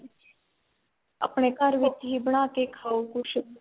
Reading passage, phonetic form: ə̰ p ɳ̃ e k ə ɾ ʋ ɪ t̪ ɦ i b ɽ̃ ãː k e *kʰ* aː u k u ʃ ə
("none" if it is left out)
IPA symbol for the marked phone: kʰ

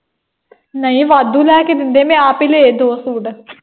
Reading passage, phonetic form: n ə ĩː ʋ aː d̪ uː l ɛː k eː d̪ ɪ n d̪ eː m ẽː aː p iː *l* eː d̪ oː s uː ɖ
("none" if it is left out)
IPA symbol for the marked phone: l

